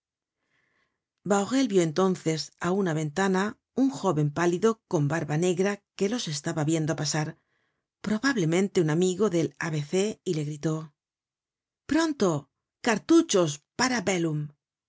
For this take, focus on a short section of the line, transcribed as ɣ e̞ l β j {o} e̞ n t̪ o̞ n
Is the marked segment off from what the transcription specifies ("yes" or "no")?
no